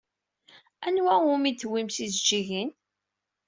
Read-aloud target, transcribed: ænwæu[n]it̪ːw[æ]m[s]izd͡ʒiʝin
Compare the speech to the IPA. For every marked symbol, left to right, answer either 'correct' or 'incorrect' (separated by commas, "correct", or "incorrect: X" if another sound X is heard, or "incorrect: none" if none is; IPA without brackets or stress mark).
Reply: incorrect: m, incorrect: i, correct